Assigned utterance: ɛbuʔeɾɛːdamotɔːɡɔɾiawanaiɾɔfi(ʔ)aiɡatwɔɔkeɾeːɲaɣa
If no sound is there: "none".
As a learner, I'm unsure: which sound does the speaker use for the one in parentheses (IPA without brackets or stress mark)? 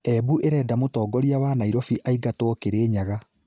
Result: ʔ